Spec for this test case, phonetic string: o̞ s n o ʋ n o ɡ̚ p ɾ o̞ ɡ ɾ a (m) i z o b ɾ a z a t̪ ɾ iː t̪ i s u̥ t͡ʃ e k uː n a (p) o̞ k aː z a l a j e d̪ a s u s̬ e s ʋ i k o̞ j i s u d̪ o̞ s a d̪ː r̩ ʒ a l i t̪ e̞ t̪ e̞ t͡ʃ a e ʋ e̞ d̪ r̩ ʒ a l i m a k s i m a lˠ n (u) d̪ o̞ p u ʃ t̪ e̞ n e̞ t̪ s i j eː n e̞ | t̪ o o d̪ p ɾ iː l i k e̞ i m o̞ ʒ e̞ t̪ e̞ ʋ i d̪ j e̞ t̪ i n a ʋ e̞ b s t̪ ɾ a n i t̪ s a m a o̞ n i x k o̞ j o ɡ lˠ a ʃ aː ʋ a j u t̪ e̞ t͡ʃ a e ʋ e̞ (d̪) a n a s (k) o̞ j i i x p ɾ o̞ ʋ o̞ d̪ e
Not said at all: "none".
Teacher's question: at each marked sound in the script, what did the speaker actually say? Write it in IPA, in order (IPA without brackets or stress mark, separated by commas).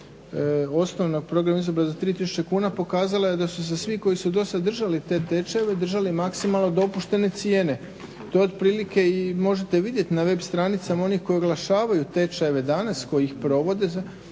m, p, o, d̪, k